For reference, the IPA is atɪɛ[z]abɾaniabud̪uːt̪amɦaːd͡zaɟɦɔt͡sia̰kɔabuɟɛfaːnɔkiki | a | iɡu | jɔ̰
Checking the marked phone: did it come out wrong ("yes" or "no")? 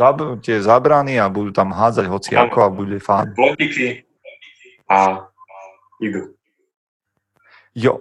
no